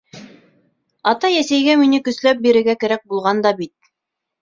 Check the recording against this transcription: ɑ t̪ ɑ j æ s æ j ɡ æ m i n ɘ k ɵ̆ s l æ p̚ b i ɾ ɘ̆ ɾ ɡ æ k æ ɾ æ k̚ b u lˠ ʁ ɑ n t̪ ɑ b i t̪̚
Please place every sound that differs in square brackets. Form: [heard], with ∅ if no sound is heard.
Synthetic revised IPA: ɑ t̪ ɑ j æ s æ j ɡ æ m i n ɘ k ɵ̆ s l æ p̚ b i ɾ ɘ̆ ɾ ɡ æ k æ ɾ æ k̚ b u lˠ ʁ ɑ n [d̪] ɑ b i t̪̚